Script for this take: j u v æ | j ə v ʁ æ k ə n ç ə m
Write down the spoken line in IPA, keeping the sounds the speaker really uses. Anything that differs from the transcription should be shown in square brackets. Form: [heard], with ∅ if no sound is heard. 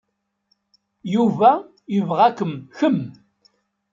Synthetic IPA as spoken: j u v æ | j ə v ʁ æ k ə [m] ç ə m